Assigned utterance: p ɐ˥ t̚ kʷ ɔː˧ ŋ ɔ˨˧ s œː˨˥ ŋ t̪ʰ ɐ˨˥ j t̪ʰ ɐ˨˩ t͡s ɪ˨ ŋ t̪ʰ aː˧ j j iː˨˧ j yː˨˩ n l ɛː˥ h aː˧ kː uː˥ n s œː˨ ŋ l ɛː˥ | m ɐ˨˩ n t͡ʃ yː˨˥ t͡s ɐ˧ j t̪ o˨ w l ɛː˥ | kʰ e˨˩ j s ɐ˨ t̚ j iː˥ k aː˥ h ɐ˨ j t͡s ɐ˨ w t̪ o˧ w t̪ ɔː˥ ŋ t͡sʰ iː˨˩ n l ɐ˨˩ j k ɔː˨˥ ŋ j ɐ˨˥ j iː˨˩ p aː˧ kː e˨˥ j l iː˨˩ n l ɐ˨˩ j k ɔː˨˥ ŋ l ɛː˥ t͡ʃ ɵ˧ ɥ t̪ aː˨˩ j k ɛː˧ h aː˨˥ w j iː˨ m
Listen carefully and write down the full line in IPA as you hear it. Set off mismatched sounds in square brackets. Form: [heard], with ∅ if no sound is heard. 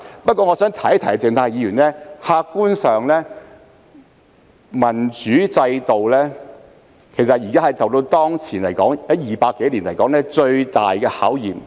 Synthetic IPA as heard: p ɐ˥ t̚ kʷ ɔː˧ ŋ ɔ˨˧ s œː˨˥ ŋ t̪ʰ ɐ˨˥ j t̪ʰ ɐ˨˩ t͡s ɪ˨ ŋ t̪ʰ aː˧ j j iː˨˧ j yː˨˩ n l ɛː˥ h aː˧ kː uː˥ n s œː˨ ŋ l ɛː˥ | m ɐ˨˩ n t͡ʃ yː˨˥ t͡s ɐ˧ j t̪ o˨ w l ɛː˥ | kʰ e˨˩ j s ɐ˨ t̚ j [iː˨˩] k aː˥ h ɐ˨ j t͡s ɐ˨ w t̪ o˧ w t̪ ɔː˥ ŋ t͡sʰ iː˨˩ n l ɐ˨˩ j k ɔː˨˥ ŋ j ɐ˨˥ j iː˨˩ p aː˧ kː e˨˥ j l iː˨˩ n l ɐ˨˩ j k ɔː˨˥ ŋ l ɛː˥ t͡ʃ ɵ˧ ɥ t̪ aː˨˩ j k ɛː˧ h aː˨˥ w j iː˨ m